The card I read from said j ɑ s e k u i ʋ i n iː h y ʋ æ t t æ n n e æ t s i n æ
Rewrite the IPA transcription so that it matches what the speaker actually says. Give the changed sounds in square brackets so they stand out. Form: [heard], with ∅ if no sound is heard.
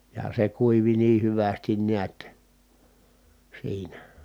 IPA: j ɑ s e k u i ʋ i n iː h y ʋ æ [s] t [i] n n [i] æ t s [iː] n æ

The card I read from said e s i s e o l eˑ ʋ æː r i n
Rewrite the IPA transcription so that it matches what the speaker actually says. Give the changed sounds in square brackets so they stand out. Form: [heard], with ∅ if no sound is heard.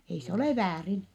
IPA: e [∅] i s e o l eˑ ʋ æː r i n

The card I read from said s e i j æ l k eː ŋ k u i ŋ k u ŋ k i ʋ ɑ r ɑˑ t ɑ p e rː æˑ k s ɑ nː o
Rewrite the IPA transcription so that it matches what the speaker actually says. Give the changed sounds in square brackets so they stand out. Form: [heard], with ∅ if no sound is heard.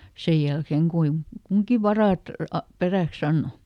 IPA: s e [j] j æ l k eː ŋ k u i ŋ k u ŋ k i ʋ ɑ r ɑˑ t ɑ p e [r] æˑ k s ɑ nː o

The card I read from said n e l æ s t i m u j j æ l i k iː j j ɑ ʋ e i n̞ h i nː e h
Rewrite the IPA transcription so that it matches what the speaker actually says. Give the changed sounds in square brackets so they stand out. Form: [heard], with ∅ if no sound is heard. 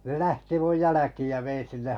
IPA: n e l æ [h] t i m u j j æ l [æ] k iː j j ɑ ʋ e i n̞ [s] i nː e h

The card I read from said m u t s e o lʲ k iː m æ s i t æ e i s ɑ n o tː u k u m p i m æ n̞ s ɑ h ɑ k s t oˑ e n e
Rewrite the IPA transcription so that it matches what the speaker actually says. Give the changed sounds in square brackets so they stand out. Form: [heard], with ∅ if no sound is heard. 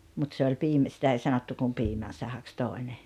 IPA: m u t s e o lʲ [p] iː m æ s i t æ e i s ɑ n o tː u k u m p [iː] m æ n̞ s ɑ h ɑ k s t oˑ e n e

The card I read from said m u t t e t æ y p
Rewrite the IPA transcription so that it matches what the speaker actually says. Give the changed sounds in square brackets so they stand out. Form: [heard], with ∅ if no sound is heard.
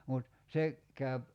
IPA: m u t [s] e [k] æ y p

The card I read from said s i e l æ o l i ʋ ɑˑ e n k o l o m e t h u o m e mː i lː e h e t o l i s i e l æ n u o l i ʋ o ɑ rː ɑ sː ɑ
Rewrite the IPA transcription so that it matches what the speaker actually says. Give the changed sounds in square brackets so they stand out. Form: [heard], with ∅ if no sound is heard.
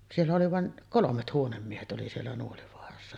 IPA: s i e [lː] æ o l i ʋ ɑˑ e n k o l o m e t h u o [n] e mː i [∅] e h e t o l i s i e [lː] æ n u o l i ʋ o ɑ [r] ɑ sː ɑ

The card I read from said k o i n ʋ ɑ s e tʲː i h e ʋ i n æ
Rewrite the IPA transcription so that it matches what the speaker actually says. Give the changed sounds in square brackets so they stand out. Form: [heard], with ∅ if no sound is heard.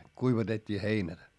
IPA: k [u] i [∅] ʋ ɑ [t] e tʲː [iː] h e [∅] i n æ

